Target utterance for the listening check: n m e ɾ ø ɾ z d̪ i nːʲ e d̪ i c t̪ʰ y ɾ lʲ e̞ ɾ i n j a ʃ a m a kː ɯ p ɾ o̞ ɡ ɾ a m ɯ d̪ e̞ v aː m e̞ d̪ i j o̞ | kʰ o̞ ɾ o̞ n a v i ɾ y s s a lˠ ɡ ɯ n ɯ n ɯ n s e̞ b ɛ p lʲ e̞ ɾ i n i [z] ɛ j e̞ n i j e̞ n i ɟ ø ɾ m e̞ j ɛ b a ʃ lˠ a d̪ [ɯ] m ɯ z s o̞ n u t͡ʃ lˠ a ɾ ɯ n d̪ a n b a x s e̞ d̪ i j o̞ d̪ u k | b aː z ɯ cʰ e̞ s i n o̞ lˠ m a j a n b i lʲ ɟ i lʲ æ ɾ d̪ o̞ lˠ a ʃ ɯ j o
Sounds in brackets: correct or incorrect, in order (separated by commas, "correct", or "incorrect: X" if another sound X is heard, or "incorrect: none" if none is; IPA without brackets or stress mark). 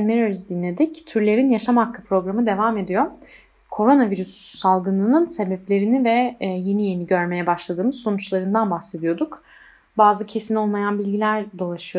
incorrect: v, incorrect: ɯː